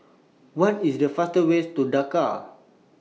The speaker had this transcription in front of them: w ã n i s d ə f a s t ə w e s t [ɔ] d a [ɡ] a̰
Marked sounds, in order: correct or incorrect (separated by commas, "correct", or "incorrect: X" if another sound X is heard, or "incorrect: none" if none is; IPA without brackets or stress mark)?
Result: incorrect: u, incorrect: k